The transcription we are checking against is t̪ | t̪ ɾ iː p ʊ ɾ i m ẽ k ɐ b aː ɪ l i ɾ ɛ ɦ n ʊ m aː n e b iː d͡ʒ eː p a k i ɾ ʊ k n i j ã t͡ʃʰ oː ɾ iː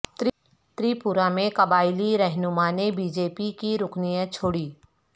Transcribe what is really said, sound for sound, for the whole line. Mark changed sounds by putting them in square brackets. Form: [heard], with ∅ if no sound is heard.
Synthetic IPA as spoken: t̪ | t̪ ɾ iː p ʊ ɾ [a] m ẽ k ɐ b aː ɪ l i ɾ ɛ ɦ n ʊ m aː n e b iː d͡ʒ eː p [i] k i ɾ ʊ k n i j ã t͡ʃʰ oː [ɽ] iː